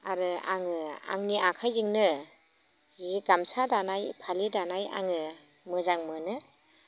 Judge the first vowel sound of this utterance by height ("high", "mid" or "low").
low